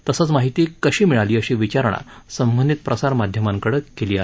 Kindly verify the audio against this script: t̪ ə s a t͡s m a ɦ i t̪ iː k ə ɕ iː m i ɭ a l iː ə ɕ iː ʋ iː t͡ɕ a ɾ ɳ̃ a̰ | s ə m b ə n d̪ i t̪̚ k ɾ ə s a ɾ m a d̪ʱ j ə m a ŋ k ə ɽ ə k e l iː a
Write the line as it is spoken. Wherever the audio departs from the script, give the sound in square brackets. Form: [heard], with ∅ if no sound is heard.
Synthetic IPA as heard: t̪ ə s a t͡s m a ɦ i t̪ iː k ə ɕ iː m i ɭ a l iː ə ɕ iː ʋ [i] t͡ɕ a ɾ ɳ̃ a̰ | s ə m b ə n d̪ i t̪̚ [p] ɾ ə s a ɾ m a d̪ʱ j ə m a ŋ k ə ɽ ə k e l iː a

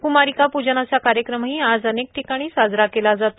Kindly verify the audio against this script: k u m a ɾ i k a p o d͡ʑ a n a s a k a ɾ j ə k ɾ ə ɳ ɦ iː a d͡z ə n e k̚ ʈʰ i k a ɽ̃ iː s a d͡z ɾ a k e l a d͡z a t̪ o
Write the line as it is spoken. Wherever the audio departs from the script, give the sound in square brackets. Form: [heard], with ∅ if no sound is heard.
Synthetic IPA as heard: k u m a ɾ i k a p [u] d͡ʑ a n a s a k a ɾ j ə k ɾ ə [m] ɦ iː a d͡z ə n e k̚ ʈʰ i k a ɽ̃ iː s a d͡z ɾ a k e l a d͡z a t̪ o

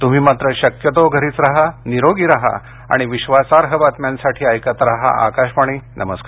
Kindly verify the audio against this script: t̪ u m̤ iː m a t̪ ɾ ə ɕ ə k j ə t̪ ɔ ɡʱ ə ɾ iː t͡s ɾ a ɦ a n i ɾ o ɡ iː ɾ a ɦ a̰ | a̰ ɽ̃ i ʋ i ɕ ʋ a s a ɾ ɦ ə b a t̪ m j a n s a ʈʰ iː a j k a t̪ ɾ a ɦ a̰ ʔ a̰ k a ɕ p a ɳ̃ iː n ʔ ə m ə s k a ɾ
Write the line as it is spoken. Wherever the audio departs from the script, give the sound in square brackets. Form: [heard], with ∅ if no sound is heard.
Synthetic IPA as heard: t̪ u m̤ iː m a t̪ ɾ ə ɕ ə k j ə t̪ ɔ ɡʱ ə ɾ iː t͡s ɾ a ɦ a n i ɾ o ɡ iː ɾ a ɦ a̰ | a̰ ɽ̃ i ʋ i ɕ ʋ a s a ɾ ɦ ə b a t̪ m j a n s a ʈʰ iː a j k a t̪ ɾ a ɦ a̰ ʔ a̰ k a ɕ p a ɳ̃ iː n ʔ ə m ə s k a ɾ

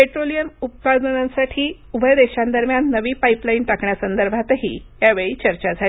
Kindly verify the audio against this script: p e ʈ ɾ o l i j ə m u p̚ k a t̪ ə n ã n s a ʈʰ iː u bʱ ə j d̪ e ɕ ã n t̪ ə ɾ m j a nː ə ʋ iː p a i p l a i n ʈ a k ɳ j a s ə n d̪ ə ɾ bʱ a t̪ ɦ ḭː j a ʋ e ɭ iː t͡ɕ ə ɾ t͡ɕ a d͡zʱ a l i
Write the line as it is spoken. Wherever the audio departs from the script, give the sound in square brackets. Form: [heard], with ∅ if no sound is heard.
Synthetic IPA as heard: p e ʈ ɾ o l i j ə m u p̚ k a [d̪] ə n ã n s a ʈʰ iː u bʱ ə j d̪ e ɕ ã n [d̪] ə ɾ m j a nː ə ʋ iː p a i p l a i n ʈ a k ɳ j a s ə n d̪ ə ɾ bʱ a t̪ ɦ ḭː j a ʋ e ɭ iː t͡ɕ ə ɾ t͡ɕ a d͡zʱ a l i

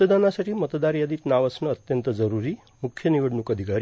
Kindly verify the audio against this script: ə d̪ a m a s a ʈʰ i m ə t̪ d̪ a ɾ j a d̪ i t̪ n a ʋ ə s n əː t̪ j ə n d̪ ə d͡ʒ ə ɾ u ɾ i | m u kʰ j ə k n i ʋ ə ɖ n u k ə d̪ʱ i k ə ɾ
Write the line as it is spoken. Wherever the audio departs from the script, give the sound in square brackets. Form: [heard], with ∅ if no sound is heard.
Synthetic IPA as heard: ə d̪ a [n] a s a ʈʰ i m ə t̪ d̪ a ɾ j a d̪ i t̪ n a ʋ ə s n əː t̪ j ə n [t̪] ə d͡ʒ ə ɾ u ɾ i | m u kʰ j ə [∅] n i ʋ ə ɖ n u k ə d̪ʱ i k [a] ɾ

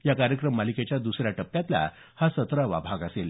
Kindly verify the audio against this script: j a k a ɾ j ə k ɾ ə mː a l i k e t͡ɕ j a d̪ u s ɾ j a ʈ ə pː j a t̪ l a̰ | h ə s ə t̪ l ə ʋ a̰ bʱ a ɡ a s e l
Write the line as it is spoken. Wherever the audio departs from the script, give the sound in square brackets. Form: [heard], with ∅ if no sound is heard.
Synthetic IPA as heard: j a k a ɾ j ə k ɾ ə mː a l i k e t͡ɕ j a d̪ u s ɾ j a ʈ ə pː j a t̪ l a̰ | h [a] s ə t̪ [ɾ] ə ʋ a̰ bʱ a ɡ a s e l

